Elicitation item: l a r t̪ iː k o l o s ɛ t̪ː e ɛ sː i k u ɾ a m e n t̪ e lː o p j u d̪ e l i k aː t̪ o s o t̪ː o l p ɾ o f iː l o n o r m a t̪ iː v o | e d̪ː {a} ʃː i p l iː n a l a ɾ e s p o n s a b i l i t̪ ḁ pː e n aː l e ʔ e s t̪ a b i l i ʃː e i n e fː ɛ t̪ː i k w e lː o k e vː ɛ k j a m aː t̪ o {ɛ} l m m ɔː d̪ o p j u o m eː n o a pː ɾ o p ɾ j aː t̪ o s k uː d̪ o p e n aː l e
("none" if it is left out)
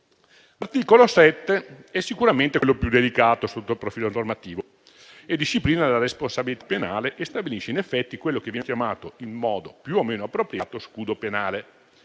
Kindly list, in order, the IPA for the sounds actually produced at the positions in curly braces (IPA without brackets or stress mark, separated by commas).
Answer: i, i